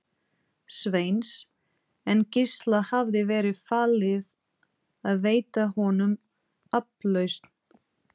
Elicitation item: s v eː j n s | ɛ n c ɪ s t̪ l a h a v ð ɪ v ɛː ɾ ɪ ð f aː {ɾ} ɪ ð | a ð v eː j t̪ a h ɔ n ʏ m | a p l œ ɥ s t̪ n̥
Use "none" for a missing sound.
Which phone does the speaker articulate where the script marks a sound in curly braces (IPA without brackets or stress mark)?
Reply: l